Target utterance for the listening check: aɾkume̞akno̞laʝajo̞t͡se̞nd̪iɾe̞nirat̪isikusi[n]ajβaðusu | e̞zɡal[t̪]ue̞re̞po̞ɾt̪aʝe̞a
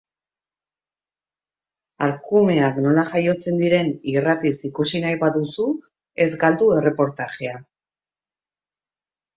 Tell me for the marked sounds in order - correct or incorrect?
correct, incorrect: d̪

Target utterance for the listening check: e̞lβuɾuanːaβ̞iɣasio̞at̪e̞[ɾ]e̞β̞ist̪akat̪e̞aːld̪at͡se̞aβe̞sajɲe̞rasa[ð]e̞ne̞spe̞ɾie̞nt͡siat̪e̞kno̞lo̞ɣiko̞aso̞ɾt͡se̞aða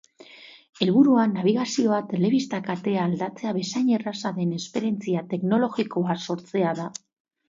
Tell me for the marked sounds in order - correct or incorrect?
incorrect: l, correct

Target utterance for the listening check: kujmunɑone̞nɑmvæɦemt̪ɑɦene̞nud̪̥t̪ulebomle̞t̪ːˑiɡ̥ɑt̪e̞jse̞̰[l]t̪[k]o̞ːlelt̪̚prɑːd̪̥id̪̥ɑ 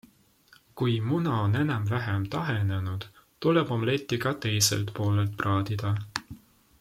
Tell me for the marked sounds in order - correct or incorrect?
correct, incorrect: p

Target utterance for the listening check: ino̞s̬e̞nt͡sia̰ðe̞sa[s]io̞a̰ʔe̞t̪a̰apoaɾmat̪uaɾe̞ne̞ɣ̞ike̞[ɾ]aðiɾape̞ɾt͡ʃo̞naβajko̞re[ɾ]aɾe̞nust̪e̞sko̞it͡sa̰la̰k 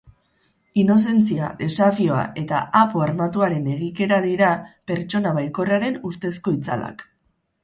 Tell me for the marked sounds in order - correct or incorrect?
incorrect: f, correct, incorrect: none

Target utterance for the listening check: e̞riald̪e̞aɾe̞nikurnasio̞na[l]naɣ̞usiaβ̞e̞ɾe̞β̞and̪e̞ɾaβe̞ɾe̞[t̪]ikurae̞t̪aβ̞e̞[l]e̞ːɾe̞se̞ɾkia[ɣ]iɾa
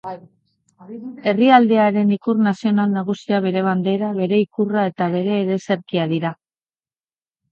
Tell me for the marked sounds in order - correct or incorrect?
correct, incorrect: none, incorrect: ɾ, incorrect: ð

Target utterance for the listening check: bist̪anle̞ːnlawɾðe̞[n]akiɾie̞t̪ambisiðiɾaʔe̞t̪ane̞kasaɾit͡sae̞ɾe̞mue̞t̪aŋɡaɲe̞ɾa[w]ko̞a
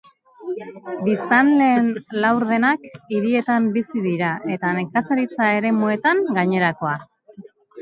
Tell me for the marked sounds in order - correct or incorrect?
correct, incorrect: none

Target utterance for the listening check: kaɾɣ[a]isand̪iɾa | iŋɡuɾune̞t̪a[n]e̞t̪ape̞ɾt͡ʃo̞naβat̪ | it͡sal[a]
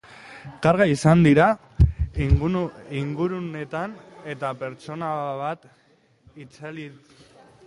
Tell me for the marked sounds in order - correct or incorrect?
correct, correct, incorrect: i

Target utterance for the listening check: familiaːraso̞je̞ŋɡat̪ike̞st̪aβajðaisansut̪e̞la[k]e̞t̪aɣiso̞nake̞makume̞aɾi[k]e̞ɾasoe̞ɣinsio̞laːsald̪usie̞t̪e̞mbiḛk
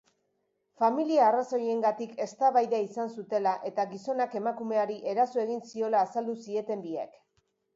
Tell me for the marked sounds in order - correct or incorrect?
incorrect: ʔ, incorrect: ʔ

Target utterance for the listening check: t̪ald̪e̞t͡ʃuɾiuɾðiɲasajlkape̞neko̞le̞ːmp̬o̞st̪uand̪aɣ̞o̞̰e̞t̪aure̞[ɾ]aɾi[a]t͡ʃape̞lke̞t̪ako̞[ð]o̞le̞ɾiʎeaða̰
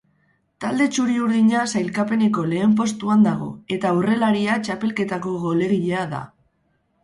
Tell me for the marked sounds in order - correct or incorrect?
incorrect: l, correct, incorrect: ɣ

